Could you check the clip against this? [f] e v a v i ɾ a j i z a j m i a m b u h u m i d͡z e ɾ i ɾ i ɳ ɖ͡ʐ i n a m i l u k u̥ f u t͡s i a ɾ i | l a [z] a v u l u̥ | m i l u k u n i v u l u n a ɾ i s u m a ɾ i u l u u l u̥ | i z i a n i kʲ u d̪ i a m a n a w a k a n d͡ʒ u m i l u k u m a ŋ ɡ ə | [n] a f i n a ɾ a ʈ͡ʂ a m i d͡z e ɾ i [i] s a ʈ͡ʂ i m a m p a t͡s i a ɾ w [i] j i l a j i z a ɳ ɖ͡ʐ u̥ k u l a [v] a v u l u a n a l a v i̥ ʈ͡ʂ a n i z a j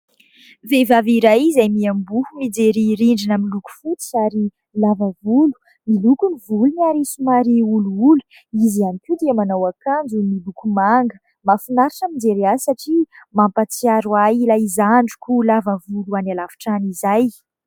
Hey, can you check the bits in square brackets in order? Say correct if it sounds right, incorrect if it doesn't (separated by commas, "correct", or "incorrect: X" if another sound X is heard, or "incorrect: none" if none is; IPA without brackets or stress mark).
incorrect: v, incorrect: v, incorrect: m, incorrect: a, incorrect: a, correct